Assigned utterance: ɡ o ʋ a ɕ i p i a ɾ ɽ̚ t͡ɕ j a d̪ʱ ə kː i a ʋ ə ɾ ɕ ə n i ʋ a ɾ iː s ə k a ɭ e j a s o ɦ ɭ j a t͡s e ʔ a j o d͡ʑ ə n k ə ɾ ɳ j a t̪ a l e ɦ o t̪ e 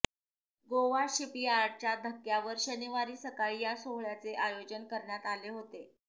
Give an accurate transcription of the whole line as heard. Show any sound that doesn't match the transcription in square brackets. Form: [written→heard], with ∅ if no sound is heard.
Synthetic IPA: ɡ o ʋ a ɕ i p i a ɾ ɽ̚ t͡ɕ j a d̪ʱ ə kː [i→j] a ʋ ə ɾ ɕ ə n i ʋ a ɾ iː s ə k a ɭ [e→i] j a s o ɦ ɭ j a t͡s e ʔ a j o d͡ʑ ə n k ə ɾ ɳ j a t̪ a l e ɦ o t̪ e